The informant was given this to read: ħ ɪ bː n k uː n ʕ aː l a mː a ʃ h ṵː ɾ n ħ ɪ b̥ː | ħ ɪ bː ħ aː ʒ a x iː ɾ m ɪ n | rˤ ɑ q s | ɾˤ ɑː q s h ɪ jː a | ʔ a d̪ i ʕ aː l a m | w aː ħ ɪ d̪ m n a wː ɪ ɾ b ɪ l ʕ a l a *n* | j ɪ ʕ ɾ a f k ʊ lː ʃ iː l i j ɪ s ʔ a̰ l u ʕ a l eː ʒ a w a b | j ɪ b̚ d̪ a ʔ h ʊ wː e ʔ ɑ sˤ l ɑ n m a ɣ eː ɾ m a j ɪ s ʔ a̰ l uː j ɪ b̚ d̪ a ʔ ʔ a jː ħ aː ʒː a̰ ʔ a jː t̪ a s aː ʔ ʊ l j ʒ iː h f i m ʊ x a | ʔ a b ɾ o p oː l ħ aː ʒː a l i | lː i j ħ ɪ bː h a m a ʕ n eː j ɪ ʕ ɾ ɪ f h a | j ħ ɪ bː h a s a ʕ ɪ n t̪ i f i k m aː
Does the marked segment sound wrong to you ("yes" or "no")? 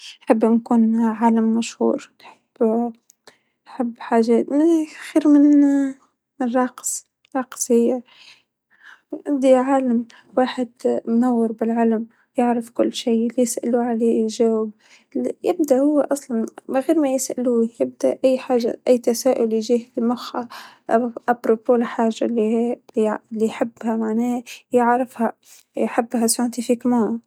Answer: yes